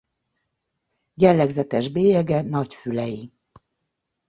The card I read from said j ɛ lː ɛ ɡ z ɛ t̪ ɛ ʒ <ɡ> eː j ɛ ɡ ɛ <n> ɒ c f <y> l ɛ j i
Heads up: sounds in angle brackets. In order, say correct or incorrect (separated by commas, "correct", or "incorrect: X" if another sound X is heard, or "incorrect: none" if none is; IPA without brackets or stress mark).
incorrect: b, correct, correct